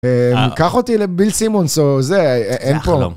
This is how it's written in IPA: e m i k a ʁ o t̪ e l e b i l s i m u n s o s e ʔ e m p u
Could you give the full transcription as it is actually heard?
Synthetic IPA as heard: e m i k a χ o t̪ i l e b i l s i m o n s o z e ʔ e n p o